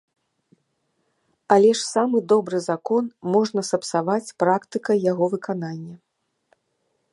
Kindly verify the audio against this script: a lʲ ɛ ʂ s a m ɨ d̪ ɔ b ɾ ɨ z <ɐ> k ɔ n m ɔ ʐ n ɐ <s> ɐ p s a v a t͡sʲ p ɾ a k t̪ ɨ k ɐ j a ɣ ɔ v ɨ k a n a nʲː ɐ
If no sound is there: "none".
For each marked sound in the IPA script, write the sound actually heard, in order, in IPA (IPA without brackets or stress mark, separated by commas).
a, s